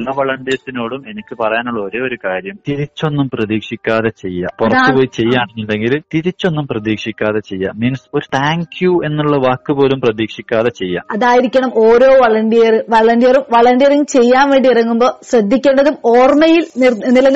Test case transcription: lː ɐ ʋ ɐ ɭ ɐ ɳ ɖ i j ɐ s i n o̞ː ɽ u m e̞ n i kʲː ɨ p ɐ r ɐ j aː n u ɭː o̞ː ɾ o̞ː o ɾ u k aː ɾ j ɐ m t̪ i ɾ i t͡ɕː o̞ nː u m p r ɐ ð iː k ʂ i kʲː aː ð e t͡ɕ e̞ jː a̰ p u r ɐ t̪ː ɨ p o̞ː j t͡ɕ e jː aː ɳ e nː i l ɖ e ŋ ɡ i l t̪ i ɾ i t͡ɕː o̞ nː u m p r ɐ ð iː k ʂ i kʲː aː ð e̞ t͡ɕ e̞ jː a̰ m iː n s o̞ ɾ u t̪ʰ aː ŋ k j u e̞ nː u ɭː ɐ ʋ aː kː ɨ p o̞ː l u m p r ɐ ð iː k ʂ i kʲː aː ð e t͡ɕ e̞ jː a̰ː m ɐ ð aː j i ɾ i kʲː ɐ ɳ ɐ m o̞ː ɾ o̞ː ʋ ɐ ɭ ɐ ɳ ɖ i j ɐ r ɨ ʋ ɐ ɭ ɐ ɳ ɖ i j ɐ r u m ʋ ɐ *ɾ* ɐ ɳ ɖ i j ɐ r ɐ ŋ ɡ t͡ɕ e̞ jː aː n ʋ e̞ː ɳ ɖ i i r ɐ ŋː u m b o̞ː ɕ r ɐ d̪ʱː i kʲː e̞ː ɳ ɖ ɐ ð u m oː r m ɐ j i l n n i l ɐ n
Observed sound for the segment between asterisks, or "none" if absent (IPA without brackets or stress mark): ɭ